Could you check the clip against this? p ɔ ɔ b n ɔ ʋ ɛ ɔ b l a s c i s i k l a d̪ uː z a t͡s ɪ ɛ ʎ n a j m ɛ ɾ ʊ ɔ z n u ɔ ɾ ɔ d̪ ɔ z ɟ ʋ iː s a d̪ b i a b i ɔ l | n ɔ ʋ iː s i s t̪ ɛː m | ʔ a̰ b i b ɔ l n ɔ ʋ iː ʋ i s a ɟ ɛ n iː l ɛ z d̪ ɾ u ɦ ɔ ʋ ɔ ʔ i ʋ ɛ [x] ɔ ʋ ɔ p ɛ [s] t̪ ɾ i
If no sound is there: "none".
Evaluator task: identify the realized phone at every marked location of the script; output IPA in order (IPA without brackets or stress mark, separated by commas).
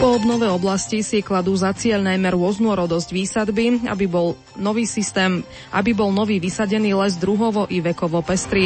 k, s